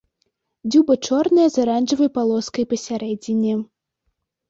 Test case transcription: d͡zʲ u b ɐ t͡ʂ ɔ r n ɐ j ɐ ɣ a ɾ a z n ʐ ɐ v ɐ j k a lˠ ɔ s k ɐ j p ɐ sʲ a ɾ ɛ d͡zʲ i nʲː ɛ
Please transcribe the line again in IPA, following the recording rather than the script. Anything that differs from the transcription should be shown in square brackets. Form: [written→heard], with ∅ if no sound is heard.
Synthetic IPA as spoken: d͡zʲ u b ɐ t͡ʂ ɔ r n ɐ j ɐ [ɣ→z] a ɾ a [z→∅] n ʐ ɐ v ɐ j [k→p] a lˠ ɔ s k ɐ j p ɐ sʲ a ɾ ɛ d͡zʲ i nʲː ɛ